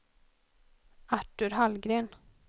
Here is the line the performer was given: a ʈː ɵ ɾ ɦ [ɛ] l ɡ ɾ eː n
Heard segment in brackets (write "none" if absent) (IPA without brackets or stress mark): a